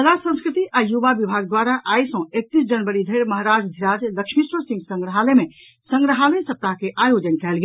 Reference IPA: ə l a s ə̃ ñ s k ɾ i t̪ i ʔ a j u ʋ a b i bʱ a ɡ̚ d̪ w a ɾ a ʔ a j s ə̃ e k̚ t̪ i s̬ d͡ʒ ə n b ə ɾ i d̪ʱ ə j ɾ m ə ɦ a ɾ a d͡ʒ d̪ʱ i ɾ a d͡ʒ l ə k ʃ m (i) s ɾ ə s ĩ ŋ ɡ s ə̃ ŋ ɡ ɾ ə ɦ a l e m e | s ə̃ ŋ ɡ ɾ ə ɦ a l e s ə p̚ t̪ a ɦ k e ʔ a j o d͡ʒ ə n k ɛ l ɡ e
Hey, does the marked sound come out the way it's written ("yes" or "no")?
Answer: yes